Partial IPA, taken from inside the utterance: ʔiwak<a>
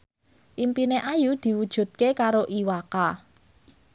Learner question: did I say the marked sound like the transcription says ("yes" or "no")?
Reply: yes